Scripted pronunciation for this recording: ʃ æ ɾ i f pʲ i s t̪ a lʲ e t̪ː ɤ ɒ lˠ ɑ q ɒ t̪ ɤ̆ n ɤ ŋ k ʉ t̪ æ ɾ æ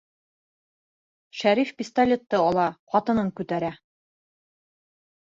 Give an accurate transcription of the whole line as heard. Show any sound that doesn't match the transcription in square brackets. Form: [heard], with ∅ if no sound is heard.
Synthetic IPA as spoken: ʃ æ ɾ i f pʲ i s t̪ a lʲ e t̪ː ɤ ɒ lˠ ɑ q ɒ t̪ ɤ̆ n ɤ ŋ k ʉ t̪ æ ɾ æ